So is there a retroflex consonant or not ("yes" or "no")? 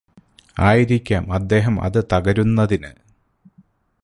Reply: no